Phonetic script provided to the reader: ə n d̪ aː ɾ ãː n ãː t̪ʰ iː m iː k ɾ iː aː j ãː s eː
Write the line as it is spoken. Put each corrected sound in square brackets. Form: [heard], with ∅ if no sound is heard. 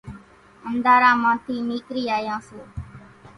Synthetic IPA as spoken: ə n d̪ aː ɾ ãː [m] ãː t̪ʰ iː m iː k ɾ iː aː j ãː s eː